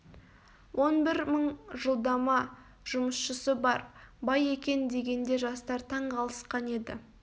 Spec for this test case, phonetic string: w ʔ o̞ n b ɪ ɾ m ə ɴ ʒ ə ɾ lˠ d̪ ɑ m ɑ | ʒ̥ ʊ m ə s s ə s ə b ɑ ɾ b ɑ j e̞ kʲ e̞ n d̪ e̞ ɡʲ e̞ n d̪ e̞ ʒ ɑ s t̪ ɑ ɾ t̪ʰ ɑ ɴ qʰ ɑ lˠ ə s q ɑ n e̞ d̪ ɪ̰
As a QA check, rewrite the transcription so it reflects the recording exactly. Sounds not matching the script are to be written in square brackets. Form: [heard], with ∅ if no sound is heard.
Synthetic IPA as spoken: w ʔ o̞ n b ɪ ɾ m ə ɴ ʒ ə [∅] lˠ d̪ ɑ m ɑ | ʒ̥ ʊ m ə s [ʃ] ə s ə b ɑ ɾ b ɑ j e̞ kʲ e̞ n d̪ e̞ ɡʲ e̞ n d̪ e̞ ʒ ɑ s t̪ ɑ ɾ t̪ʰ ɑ ɴ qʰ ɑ lˠ ə s q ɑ n e̞ d̪ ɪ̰

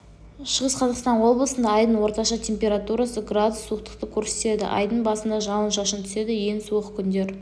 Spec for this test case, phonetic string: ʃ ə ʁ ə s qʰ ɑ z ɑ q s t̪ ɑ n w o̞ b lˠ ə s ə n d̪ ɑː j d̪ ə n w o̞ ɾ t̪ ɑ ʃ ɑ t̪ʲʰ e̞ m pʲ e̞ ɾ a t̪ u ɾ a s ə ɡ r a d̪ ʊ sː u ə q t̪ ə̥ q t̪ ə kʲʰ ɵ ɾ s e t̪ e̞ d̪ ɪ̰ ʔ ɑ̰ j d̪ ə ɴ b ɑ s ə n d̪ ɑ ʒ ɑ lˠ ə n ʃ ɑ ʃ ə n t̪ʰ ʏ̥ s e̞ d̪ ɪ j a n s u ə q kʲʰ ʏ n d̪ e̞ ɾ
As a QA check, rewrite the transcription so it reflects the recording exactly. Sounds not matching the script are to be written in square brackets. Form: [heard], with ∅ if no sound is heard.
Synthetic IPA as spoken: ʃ ə ʁ ə s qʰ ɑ z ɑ q s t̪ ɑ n w o̞ b lˠ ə s ə n d̪ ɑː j d̪ ə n w o̞ ɾ t̪ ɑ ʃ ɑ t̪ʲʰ e̞ m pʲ e̞ ɾ a t̪ u ɾ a s ə ɡ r a d̪ ʊ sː u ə q t̪ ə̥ q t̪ ə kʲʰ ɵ ɾ s e t̪ e̞ d̪ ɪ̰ ʔ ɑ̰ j d̪ ə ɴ b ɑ s ə n d̪ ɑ ʒ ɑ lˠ ə n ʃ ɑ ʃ ə n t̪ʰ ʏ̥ s e̞ d̪ ɪ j [e] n s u ə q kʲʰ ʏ n d̪ e̞ ɾ

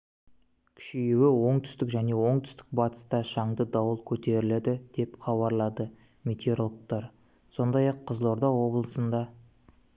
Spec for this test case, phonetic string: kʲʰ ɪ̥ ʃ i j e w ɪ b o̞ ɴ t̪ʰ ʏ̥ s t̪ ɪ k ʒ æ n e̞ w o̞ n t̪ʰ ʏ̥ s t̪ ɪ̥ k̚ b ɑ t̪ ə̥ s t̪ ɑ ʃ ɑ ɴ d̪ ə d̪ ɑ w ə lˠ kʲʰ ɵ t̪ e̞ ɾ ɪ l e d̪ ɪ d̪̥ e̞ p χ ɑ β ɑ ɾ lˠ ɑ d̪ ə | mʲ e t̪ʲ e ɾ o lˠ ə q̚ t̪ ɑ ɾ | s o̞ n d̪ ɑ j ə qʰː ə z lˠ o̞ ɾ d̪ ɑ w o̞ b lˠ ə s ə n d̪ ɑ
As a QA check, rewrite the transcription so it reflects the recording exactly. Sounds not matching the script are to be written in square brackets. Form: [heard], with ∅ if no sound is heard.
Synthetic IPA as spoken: kʲʰ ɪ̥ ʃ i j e w ɪ [w] o̞ ɴ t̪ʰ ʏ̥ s t̪ ɪ k ʒ æ n e̞ w o̞ [ɴ] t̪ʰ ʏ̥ s t̪ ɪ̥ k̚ b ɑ t̪ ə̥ s t̪ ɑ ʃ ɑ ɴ d̪ ə d̪ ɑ w ə lˠ kʲʰ ɵ t̪ e̞ ɾ ɪ l e d̪ ɪ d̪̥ e̞ p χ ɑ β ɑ ɾ lˠ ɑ d̪ ə | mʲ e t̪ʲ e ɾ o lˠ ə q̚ t̪ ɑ ɾ | s o̞ n d̪ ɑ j [ɑ] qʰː ə z lˠ o̞ ɾ d̪ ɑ w o̞ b lˠ ə s ə n d̪ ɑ

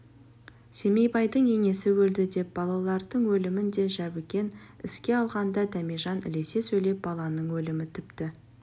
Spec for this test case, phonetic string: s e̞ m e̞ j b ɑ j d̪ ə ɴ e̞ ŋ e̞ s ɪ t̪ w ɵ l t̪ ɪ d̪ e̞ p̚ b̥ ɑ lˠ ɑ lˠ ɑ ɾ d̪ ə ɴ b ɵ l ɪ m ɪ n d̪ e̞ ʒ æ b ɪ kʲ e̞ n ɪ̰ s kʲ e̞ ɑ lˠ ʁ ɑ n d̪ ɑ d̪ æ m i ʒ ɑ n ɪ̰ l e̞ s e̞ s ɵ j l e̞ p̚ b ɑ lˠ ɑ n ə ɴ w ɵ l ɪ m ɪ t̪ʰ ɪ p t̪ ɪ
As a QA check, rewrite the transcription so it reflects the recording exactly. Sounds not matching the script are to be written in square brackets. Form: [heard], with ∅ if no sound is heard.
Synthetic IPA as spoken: s e̞ m e̞ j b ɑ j d̪ ə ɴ e̞ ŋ e̞ s ɪ [∅] w ɵ l [d̪] ɪ d̪ e̞ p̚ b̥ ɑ lˠ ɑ lˠ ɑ ɾ d̪ ə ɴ [w] ɵ l ɪ m ɪ n d̪ e̞ ʒ æ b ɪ kʲ e̞ n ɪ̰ s kʲ e̞ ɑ lˠ ʁ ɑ n d̪ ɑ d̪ æ m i ʒ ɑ n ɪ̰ l e̞ s e̞ s ɵ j l e̞ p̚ b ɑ lˠ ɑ n ə ɴ w ɵ l ɪ m ɪ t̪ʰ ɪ p t̪ ɪ

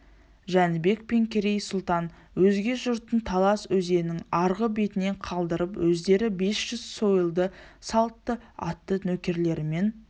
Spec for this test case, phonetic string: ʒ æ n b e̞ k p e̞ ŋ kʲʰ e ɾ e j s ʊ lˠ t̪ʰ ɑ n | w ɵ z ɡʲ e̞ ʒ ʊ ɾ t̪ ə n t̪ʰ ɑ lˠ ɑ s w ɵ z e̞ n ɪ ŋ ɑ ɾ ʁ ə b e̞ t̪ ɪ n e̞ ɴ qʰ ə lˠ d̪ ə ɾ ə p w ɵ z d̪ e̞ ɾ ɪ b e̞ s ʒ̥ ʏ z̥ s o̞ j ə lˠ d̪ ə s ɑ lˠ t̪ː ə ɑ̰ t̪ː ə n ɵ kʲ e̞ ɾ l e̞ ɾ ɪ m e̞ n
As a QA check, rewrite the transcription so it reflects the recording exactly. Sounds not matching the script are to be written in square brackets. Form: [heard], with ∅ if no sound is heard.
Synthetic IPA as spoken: ʒ æ n b e̞ k p e̞ ŋ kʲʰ e ɾ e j s ʊ lˠ [t̪] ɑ n | w ɵ z ɡʲ e̞ ʒ ʊ ɾ t̪ ə n t̪ʰ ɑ lˠ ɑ s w ɵ z e̞ n ɪ ŋ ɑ ɾ ʁ ə b e̞ t̪ ɪ n e̞ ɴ qʰ [ɑ] lˠ d̪ ə ɾ ə p w ɵ z d̪ e̞ ɾ ɪ b e̞ s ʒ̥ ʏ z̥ s o̞ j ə lˠ d̪ ə s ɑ lˠ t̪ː ə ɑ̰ t̪ː ə n ɵ kʲ e̞ ɾ l e̞ ɾ ɪ m e̞ n

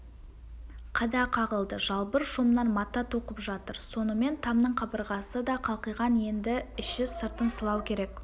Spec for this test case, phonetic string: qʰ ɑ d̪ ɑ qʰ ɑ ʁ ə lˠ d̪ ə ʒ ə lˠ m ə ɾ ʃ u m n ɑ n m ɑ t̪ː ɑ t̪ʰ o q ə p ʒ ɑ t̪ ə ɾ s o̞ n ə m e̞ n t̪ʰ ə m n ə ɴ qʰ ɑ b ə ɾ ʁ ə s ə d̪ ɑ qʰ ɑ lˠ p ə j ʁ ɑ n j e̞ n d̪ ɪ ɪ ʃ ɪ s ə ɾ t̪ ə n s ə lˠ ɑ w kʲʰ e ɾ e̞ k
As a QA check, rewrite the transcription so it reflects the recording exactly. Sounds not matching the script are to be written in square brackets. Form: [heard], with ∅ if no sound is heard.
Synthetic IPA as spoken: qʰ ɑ d̪ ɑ qʰ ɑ ʁ ə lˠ d̪ ə ʒ [ɑ] lˠ [b] ə ɾ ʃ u m n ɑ n m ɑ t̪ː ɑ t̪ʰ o q ə p ʒ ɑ t̪ ə ɾ s o̞ n ə m e̞ n t̪ʰ [ɑ] m n ə ɴ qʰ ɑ b ə ɾ ʁ [ɑ] s ə d̪ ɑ qʰ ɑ lˠ [q] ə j ʁ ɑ n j e̞ n d̪ ɪ ɪ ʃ ɪ s ə ɾ t̪ ə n s ə lˠ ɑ w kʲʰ e ɾ e̞ k

